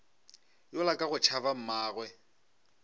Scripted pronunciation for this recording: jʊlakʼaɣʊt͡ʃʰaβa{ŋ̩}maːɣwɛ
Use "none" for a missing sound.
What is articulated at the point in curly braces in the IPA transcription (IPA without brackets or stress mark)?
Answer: m̩